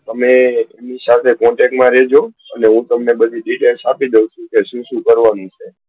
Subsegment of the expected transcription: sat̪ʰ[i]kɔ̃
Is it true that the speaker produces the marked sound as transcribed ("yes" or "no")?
no